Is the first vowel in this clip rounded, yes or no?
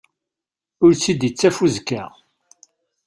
yes